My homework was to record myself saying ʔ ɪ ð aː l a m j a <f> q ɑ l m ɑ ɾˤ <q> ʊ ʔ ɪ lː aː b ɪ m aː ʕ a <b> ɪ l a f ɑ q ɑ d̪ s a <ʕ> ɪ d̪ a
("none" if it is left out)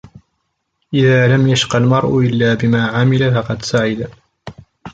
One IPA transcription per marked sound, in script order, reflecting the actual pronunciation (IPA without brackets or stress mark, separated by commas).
ʃ, ʔ, m, ʕ